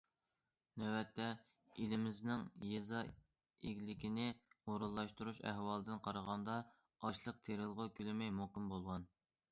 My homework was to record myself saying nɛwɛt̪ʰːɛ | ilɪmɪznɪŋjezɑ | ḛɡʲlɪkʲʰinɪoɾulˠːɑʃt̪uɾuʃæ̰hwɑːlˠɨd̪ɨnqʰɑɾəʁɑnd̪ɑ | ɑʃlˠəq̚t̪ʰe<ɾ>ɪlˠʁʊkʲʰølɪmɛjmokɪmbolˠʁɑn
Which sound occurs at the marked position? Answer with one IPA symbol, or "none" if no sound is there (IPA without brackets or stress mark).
ɾ